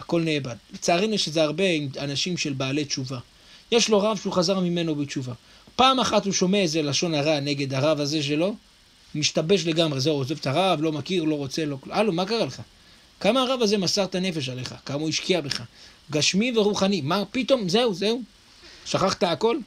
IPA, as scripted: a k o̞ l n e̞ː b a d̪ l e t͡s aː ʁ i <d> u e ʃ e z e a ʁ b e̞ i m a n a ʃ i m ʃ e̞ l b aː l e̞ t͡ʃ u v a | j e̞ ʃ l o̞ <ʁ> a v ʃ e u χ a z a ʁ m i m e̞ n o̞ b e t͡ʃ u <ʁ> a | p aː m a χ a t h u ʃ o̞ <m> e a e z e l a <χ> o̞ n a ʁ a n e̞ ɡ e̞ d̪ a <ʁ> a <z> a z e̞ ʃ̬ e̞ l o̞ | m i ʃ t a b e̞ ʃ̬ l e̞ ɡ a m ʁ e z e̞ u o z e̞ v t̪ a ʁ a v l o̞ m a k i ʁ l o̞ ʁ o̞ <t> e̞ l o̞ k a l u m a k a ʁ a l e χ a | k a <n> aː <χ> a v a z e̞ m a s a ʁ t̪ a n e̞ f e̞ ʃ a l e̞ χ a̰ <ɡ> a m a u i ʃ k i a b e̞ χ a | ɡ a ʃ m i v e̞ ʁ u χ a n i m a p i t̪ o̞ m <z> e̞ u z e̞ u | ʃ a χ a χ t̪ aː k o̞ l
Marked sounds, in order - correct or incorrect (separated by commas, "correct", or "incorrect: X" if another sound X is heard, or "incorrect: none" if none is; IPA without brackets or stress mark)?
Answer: incorrect: n, correct, incorrect: v, correct, incorrect: ʃ, correct, incorrect: v, incorrect: t͡s, incorrect: m, incorrect: ʁ, incorrect: k, correct